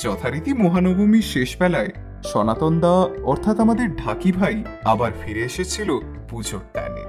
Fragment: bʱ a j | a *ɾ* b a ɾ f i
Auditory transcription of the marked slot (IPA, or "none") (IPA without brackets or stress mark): none